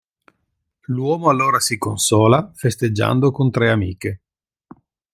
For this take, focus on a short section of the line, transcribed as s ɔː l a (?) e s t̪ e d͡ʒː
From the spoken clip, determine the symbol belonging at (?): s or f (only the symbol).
f